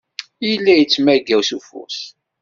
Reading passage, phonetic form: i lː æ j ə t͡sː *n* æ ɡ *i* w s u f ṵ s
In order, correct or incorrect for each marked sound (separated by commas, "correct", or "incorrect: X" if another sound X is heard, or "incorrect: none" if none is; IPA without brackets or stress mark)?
incorrect: m, incorrect: æ